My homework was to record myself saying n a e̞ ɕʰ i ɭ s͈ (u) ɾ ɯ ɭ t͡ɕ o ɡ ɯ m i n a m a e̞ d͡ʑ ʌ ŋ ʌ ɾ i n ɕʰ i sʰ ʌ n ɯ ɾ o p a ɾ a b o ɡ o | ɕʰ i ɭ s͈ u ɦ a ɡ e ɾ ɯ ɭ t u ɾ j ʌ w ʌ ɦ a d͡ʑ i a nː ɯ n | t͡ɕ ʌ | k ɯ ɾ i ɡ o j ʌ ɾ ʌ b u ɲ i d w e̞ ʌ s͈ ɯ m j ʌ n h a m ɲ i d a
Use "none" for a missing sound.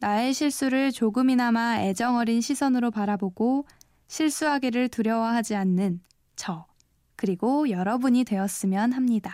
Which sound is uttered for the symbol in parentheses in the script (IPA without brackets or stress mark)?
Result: u